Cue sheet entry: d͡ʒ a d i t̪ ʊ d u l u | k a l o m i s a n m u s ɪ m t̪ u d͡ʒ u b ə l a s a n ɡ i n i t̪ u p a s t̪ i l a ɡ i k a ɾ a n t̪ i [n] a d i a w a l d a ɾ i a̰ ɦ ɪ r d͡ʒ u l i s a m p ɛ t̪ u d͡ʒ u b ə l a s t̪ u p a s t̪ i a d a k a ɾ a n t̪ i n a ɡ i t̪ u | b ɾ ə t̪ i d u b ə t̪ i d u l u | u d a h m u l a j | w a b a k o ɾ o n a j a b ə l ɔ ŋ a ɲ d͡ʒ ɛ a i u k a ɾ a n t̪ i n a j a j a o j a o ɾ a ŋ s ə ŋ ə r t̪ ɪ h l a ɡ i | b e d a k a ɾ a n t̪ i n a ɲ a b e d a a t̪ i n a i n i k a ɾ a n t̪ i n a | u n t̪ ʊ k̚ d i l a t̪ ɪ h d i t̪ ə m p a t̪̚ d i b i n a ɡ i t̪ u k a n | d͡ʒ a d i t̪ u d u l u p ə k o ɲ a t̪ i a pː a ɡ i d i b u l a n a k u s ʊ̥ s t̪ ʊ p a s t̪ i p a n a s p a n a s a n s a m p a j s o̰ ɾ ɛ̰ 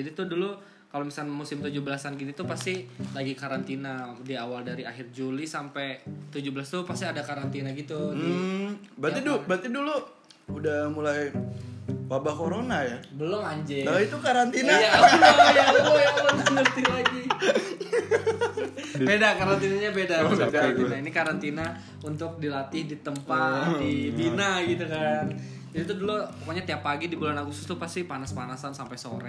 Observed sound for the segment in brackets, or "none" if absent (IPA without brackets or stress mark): n